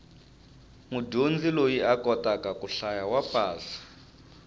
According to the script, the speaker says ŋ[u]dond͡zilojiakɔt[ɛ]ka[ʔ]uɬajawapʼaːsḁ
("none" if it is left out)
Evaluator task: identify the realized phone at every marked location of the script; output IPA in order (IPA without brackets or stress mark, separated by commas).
u, a, k